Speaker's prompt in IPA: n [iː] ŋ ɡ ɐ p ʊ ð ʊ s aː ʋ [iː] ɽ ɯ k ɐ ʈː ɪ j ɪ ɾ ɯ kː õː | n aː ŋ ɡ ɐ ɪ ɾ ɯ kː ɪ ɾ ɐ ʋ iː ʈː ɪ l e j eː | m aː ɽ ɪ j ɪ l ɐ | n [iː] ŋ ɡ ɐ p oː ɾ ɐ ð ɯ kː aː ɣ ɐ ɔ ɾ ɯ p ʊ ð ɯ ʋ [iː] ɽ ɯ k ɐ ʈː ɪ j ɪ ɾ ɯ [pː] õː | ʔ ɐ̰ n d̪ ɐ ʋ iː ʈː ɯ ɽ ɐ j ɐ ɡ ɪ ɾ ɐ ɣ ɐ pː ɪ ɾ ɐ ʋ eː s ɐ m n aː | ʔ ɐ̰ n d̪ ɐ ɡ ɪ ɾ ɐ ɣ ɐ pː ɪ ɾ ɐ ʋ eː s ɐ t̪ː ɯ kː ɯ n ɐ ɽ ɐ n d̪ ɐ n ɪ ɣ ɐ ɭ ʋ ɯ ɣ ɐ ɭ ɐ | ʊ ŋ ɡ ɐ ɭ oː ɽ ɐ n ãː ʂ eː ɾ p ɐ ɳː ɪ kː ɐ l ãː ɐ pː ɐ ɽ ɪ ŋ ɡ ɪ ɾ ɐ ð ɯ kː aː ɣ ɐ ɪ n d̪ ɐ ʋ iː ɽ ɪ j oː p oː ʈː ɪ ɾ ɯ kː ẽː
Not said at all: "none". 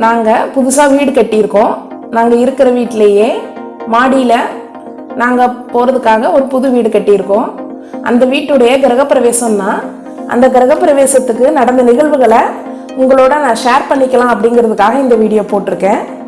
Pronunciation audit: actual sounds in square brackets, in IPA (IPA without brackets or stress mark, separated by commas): aː, iː, aː, iː, kː